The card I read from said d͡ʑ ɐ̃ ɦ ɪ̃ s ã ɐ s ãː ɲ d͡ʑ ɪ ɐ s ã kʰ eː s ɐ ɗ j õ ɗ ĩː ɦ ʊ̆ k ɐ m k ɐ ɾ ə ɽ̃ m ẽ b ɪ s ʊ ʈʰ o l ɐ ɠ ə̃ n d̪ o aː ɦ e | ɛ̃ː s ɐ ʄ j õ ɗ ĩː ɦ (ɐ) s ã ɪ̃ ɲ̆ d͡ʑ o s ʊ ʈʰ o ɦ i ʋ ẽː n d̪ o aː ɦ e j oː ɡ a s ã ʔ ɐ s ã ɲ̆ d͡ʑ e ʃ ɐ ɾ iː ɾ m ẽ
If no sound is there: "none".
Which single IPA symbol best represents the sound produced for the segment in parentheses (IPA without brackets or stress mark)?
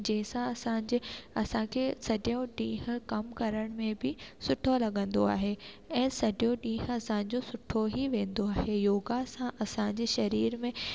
ɐ